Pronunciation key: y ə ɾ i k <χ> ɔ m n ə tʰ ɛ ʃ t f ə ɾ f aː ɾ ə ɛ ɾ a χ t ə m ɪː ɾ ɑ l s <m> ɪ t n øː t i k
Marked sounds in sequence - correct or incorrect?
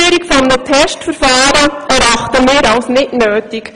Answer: incorrect: f, incorrect: n

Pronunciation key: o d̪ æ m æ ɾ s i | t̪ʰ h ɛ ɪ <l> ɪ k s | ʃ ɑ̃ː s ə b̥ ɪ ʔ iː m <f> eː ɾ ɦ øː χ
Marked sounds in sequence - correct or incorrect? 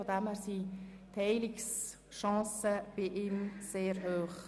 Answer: correct, incorrect: s

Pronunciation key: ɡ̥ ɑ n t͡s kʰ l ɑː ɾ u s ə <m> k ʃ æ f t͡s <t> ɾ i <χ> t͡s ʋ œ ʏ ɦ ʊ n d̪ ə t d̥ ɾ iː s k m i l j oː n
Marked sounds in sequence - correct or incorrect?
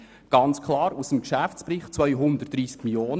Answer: correct, incorrect: p, correct

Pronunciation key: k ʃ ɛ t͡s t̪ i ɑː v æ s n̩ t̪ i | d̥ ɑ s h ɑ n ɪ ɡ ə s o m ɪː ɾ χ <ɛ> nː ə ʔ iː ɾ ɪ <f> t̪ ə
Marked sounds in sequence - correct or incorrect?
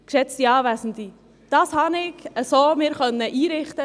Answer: incorrect: œ, incorrect: χ

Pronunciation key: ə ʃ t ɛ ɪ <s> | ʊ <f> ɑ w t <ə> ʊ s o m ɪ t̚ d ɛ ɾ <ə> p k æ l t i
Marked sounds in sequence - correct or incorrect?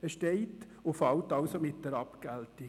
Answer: incorrect: t, correct, incorrect: ɑ, incorrect: ɑ

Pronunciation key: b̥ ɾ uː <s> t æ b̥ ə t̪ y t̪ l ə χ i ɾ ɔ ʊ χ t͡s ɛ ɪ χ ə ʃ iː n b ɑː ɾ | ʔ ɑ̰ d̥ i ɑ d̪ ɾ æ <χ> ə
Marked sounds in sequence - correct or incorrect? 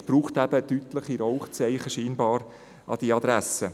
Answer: incorrect: χ, incorrect: s

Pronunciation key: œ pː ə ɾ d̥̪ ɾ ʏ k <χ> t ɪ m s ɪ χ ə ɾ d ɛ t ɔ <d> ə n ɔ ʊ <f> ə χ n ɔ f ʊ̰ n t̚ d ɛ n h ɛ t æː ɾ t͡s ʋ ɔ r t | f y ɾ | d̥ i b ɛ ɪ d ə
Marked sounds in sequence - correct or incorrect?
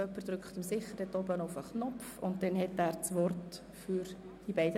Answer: correct, incorrect: b, correct

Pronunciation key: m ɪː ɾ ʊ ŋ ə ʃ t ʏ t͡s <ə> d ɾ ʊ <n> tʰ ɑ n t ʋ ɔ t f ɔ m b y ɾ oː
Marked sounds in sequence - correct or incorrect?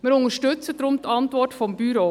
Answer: correct, incorrect: m

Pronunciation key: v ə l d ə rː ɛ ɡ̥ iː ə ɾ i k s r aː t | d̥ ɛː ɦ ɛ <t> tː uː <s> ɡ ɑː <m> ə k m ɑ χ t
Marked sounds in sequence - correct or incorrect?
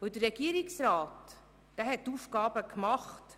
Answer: correct, incorrect: f, incorrect: b

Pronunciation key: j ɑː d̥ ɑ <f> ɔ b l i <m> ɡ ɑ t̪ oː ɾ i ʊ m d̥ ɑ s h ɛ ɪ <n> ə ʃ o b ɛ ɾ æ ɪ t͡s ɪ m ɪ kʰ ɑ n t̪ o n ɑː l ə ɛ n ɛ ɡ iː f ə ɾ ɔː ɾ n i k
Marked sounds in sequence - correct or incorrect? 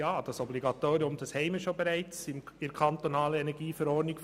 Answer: incorrect: s, incorrect: none, incorrect: m

